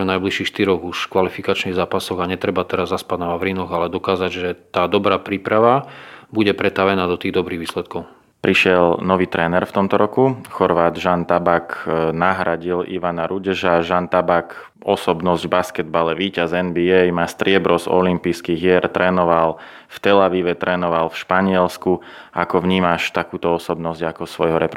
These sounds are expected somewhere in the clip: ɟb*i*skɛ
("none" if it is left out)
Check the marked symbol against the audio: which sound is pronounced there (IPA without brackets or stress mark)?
a